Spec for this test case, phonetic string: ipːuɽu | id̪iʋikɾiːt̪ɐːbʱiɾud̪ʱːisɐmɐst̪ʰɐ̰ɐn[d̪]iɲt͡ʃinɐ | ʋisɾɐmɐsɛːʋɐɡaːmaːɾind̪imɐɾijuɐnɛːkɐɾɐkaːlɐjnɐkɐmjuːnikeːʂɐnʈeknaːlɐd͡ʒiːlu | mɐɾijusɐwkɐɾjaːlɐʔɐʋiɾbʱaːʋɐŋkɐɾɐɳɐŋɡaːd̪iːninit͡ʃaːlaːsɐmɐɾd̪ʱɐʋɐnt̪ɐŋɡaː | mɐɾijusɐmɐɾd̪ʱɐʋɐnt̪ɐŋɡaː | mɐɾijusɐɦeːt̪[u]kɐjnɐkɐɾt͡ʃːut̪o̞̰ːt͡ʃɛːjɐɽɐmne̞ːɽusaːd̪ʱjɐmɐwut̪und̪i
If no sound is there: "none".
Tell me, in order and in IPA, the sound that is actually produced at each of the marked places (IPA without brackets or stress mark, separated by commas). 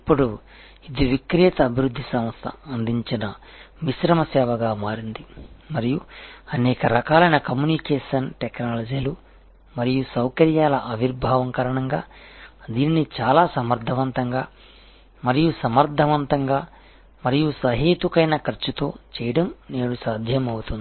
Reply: d̪, u